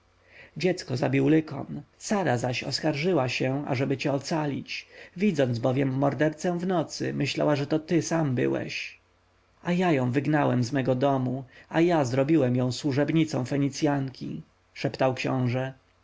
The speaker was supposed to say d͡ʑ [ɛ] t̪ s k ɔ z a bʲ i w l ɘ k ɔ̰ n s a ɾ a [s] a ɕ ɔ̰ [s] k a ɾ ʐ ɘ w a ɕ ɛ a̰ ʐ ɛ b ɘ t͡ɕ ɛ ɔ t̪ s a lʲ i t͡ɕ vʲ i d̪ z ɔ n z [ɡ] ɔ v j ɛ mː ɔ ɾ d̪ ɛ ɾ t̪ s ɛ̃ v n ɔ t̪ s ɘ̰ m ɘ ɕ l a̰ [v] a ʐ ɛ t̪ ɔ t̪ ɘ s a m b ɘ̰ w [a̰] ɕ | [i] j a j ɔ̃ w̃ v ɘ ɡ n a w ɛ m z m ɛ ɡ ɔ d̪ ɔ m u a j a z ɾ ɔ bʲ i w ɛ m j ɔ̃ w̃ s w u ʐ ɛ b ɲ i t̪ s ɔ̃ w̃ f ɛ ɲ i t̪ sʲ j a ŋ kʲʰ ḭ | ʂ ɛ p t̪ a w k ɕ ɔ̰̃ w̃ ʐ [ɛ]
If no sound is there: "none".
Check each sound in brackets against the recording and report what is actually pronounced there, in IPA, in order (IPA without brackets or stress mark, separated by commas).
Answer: ɛ, z, s, b, w, ɛ̰, a, ɛ